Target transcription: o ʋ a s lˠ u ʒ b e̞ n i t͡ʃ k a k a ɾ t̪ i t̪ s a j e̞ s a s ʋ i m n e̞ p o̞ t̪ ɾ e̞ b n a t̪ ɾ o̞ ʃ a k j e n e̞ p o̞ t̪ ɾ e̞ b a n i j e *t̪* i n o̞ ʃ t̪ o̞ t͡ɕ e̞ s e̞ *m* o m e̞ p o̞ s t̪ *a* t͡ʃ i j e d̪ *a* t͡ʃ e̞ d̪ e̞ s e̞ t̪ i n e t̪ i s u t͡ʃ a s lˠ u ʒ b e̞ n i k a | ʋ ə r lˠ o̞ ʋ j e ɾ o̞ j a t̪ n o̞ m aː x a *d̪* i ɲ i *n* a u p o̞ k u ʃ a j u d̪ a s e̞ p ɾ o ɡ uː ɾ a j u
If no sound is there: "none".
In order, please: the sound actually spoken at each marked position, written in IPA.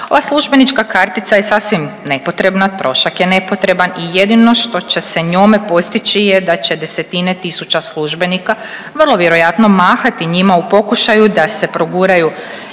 d̪, ɲ, i, a, t̪, m

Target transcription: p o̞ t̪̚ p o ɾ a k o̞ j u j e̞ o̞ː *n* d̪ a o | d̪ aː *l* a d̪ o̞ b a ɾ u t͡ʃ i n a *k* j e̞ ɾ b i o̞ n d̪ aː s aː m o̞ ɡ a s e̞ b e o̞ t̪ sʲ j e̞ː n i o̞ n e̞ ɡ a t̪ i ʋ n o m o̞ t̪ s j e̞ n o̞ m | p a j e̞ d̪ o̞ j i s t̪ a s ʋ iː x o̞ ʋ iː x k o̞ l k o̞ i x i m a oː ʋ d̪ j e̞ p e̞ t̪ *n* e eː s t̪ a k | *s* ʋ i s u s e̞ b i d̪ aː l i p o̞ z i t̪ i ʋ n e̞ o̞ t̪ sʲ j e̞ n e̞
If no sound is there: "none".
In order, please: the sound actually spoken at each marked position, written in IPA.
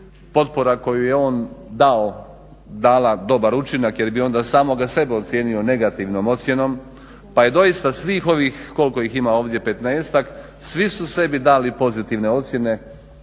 n, l, k, n, s

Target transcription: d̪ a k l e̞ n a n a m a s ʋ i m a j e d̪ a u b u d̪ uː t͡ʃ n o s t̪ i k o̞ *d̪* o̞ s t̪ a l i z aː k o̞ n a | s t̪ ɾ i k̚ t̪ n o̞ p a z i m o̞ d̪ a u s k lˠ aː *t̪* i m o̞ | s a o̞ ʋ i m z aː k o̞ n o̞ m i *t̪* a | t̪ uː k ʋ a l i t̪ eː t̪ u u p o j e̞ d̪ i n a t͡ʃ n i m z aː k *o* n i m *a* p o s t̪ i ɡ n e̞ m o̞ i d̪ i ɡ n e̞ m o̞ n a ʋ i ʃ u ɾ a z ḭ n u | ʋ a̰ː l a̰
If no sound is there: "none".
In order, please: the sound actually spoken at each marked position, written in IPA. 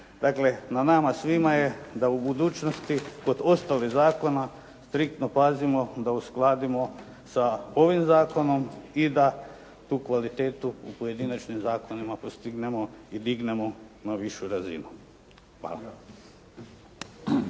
d̪, d̪, d̪, o, a

